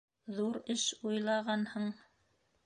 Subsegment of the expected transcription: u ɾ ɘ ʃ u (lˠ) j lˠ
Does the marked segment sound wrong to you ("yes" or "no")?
yes